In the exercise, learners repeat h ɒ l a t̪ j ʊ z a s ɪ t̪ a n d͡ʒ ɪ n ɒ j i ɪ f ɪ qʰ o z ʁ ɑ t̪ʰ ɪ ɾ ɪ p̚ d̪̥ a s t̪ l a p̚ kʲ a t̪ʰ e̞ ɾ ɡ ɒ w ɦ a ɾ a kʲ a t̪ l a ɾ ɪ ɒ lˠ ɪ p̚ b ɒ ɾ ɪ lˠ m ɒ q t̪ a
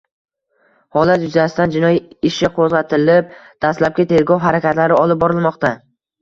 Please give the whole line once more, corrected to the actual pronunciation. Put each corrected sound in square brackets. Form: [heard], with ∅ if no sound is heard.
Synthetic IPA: h ɒ l a t̪ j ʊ z a s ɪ t̪ a n d͡ʒ ɪ n ɒ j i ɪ [ʃ] ɪ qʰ o z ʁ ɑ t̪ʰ ɪ [l] ɪ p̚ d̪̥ a s t̪ l a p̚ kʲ a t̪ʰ e̞ ɾ ɡ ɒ w ɦ a ɾ a kʲ a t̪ l a ɾ ɪ ɒ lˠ ɪ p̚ b ɒ ɾ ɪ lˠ m ɒ q t̪ a

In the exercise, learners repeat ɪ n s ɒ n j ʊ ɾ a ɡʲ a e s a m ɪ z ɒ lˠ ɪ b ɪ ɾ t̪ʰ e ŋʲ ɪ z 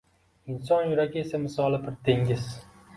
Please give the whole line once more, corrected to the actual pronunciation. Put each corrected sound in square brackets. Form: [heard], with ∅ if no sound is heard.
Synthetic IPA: ɪ n s ɒ n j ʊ ɾ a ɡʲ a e s a m ɪ [s] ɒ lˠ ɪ b ɪ ɾ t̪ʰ e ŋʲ ɪ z

